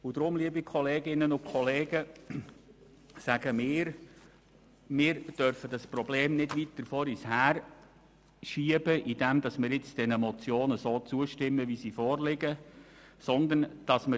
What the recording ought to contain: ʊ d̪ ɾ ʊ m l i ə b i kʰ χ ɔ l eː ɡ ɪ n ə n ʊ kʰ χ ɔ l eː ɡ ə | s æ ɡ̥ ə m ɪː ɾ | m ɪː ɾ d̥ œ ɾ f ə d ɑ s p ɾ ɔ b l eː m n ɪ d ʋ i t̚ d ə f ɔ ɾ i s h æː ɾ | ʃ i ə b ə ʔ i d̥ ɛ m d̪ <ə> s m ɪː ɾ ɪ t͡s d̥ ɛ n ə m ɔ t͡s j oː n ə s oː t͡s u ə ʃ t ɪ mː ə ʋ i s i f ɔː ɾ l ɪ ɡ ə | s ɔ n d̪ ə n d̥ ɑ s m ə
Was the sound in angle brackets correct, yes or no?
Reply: no